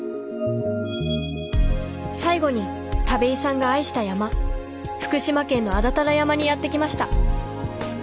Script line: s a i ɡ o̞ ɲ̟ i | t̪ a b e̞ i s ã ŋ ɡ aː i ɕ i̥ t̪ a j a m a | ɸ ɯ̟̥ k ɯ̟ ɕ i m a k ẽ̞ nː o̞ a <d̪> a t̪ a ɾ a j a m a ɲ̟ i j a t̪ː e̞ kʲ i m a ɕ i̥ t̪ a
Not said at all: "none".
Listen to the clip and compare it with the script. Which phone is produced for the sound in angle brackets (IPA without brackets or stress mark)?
d̪